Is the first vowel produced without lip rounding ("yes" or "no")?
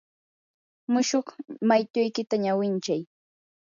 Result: no